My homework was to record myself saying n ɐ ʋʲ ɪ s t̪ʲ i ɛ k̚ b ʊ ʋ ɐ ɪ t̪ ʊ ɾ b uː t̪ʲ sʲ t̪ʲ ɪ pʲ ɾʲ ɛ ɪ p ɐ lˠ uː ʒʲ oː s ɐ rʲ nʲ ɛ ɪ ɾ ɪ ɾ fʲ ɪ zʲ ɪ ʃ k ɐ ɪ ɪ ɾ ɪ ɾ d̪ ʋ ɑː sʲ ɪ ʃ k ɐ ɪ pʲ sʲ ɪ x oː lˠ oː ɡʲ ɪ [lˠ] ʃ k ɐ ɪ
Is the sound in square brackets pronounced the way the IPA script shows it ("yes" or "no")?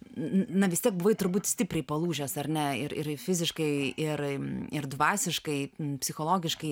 no